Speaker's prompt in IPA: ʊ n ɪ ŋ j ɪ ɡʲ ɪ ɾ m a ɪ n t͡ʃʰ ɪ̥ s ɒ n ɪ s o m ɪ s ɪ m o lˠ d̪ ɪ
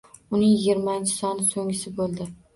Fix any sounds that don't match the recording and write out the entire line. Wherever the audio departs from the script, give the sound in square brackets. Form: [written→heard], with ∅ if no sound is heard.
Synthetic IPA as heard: ʊ n ɪ ŋ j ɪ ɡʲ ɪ ɾ m a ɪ n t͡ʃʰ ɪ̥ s ɒ n ɪ s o [m→ŋ] ɪ s ɪ [m→b] o lˠ d̪ ɪ